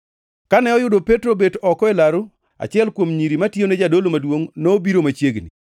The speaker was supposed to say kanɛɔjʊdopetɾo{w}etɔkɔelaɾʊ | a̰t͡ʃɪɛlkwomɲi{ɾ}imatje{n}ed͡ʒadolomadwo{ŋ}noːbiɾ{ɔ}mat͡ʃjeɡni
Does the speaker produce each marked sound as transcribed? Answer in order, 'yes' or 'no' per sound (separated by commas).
no, yes, yes, yes, no